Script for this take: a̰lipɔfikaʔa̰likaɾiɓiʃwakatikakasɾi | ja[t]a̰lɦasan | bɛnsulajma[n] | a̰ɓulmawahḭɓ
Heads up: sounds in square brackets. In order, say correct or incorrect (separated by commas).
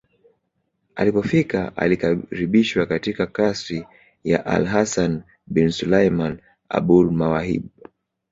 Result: incorrect, correct